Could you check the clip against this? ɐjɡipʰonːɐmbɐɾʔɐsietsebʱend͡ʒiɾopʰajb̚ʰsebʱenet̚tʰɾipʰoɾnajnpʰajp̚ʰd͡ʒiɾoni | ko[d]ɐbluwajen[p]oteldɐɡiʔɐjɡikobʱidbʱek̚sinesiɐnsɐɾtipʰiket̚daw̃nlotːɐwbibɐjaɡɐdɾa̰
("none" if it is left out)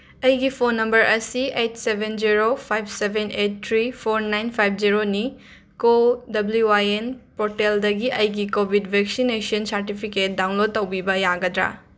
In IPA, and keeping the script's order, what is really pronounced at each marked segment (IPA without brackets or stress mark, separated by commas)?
d, p